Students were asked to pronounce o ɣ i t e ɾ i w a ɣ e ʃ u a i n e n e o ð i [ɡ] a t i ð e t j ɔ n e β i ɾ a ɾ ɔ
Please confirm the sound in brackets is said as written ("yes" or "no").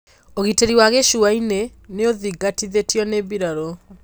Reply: yes